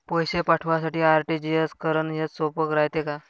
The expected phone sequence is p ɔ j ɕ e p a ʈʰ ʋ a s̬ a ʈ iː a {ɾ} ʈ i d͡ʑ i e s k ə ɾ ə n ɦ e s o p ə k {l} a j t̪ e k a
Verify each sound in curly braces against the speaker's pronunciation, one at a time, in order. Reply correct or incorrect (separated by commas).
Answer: correct, incorrect